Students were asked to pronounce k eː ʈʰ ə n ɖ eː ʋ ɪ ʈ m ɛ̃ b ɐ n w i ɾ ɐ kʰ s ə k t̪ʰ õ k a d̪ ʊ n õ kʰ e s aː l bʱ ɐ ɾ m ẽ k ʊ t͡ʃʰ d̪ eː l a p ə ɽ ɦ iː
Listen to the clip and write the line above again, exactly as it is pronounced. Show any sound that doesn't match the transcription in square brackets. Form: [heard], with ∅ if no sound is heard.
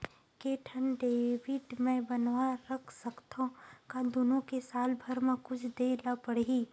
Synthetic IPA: k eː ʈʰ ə n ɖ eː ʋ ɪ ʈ m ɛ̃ b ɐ n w [a] ɾ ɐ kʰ s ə k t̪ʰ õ k a d̪ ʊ n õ [k] e s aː l bʱ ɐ ɾ m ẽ k ʊ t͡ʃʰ d̪ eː l a p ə ɽ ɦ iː